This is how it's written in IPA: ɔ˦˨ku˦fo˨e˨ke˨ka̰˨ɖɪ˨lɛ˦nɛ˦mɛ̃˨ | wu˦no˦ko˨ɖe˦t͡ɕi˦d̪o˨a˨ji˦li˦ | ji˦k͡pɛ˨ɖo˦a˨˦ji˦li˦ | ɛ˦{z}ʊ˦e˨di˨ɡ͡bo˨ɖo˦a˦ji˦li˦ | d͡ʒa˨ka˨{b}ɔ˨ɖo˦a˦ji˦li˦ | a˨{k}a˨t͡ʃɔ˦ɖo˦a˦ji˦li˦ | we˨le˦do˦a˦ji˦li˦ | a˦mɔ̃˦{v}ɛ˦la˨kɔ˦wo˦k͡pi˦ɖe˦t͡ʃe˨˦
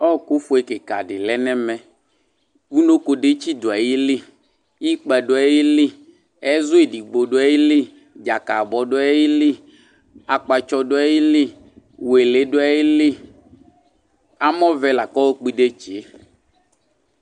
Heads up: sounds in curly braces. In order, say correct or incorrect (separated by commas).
correct, correct, incorrect, correct